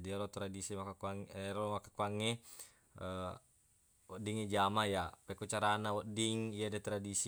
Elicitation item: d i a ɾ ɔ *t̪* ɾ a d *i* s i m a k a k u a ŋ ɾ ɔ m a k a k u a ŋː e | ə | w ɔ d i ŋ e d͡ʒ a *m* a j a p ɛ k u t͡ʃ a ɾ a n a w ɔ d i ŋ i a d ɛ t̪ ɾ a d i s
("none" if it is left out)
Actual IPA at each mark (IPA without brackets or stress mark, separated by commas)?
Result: t̪, i, m